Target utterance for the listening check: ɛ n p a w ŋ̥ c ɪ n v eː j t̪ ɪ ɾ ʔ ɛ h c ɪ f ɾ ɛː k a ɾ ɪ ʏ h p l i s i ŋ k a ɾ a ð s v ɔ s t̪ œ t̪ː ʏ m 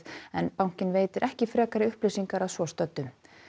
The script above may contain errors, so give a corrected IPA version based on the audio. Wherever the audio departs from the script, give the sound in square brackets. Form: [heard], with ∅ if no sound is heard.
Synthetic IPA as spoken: ɛ n p a w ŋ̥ c ɪ n v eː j t̪ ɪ ɾ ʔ ɛ h c ɪ f ɾ ɛː k a ɾ ɪ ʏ h p l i s i ŋ k a ɾ a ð s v ɔ s t̪ œ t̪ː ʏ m